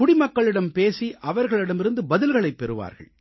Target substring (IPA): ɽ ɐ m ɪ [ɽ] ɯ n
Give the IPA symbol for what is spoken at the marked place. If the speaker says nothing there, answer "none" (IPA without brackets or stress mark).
ɾ